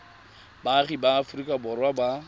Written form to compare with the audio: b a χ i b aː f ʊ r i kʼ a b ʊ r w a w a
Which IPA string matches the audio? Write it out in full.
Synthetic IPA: b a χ i b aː f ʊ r i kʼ a b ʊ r w a b a